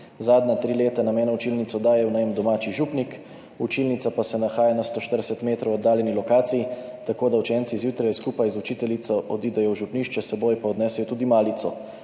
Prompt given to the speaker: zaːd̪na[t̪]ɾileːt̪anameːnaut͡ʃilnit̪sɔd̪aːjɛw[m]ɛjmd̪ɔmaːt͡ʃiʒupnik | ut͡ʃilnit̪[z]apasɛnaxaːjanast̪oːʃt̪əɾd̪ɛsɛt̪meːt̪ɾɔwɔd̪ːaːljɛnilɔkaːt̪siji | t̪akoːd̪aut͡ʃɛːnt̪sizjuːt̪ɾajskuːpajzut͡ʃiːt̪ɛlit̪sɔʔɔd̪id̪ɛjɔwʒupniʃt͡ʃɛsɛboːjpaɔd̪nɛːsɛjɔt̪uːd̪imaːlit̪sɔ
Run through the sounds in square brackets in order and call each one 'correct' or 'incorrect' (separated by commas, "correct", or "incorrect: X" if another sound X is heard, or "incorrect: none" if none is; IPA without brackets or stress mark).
correct, incorrect: n, incorrect: s